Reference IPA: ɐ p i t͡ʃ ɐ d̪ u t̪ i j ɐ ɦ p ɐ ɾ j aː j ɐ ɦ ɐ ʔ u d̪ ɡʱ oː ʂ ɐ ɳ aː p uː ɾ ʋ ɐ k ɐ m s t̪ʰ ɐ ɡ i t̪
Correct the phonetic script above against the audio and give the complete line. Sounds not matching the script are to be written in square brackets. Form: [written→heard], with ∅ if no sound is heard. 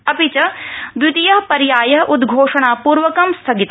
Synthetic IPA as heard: ɐ p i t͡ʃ ɐ d̪ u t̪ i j ɐ ɦ p ɐ ɾ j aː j ɐ ɦ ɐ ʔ u d̪ ɡʱ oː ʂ ɐ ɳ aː p uː ɾ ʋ ɐ k ɐ m s t̪ʰ ɐ ɡ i t̪